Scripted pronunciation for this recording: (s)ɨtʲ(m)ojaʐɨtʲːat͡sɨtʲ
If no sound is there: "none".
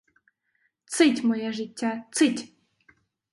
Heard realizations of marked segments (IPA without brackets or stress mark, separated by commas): t͡s, m